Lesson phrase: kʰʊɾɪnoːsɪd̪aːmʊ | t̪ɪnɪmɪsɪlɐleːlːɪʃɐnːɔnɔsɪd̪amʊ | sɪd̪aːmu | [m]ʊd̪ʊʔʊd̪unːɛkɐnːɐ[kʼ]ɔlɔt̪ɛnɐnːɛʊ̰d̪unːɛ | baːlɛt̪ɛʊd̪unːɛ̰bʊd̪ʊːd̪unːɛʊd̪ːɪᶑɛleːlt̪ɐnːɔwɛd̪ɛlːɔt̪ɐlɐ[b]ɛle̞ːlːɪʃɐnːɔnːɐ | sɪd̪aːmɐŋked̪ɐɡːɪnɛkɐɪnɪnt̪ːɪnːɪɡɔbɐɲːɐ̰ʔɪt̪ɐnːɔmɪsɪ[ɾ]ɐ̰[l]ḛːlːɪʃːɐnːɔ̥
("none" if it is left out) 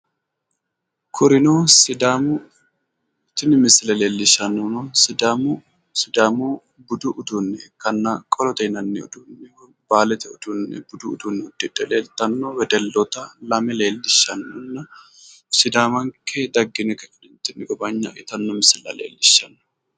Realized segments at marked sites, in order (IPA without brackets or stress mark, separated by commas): b, kʼ, m, l, l